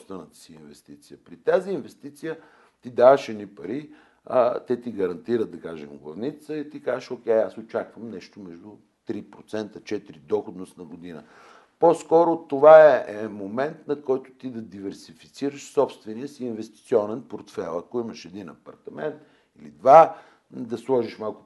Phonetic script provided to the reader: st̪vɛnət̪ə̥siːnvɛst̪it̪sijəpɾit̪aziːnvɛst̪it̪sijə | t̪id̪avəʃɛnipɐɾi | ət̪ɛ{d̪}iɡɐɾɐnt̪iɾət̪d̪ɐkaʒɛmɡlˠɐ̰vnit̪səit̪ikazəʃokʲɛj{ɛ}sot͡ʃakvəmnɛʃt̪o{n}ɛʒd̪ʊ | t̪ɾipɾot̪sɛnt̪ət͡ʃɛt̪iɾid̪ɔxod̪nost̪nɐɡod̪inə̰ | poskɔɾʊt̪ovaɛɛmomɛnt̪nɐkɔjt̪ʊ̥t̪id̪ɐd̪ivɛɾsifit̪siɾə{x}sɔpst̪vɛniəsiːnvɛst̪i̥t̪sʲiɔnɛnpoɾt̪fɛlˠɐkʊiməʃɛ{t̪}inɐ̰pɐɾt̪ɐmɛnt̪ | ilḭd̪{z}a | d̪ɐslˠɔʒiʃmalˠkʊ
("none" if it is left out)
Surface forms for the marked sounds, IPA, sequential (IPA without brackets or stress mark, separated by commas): t̪, a, m, ʃ, d̪, v